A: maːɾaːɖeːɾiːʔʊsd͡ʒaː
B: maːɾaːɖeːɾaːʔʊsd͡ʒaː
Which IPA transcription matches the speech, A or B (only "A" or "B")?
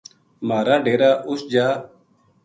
B